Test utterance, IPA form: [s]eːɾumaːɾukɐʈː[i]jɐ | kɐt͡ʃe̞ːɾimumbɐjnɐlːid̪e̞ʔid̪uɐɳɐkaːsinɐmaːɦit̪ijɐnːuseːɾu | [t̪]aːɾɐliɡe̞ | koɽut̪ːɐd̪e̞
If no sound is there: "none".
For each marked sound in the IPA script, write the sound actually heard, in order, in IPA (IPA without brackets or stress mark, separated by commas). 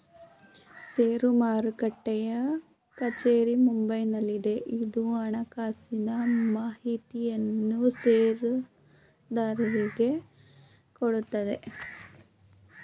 s, ɛ, d̪